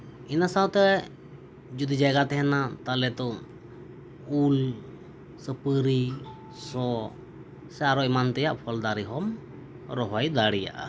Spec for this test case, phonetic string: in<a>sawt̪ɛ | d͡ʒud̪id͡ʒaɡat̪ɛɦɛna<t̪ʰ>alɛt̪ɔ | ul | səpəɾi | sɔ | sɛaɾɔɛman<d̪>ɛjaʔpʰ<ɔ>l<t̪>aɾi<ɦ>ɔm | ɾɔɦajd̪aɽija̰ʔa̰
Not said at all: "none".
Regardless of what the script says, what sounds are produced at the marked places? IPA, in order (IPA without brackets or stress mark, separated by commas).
a, t̪, t̪, ɔ, d̪, ɦ